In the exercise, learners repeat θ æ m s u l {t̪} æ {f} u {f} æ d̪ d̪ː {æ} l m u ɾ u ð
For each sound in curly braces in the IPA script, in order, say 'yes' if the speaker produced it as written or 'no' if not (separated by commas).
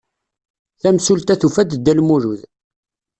yes, no, yes, yes